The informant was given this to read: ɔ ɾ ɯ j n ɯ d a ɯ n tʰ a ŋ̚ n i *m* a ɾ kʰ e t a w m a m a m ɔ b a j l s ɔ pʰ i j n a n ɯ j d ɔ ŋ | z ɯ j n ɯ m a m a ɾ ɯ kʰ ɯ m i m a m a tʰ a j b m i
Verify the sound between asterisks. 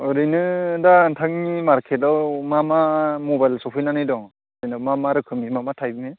correct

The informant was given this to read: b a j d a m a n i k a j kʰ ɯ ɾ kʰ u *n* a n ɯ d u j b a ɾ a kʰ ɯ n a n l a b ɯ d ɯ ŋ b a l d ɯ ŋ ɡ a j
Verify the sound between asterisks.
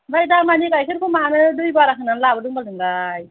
incorrect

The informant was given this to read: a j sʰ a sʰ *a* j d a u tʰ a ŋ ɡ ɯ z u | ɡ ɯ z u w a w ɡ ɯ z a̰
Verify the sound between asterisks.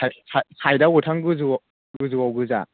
correct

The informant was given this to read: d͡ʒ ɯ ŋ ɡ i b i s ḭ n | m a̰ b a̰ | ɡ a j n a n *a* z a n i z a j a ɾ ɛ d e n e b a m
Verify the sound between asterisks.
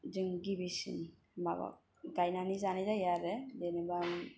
incorrect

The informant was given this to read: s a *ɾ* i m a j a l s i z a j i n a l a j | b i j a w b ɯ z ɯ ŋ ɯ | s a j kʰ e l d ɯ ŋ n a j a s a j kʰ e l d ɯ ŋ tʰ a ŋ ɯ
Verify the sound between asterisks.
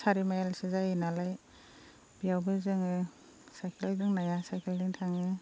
correct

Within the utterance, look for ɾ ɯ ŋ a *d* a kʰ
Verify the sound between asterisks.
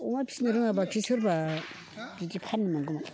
incorrect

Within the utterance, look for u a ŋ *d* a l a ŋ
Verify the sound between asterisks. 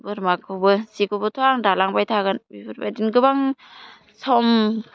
correct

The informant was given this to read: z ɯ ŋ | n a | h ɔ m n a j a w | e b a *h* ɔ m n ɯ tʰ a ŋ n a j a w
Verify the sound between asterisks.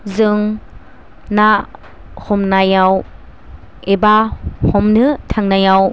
correct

